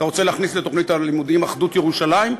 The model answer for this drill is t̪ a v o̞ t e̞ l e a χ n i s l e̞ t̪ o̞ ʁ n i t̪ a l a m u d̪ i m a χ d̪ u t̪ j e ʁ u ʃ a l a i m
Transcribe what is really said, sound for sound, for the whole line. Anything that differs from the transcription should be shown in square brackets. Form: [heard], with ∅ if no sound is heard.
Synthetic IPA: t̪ a [ʁ] o̞ [t͡s] e̞ l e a χ n i s l e̞ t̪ o̞ [χ] n i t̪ a l [i] m u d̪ i m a χ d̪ u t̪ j e ʁ u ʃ a l a i m